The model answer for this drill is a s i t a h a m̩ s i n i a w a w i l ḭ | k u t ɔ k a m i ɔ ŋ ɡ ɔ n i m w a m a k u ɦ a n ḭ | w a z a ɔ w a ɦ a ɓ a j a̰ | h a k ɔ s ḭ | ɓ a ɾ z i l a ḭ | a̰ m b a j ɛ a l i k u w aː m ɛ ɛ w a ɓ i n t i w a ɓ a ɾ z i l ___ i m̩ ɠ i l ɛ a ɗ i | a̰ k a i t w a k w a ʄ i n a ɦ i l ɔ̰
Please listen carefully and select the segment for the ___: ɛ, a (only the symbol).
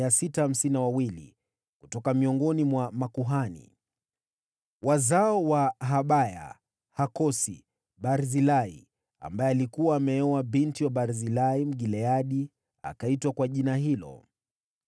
a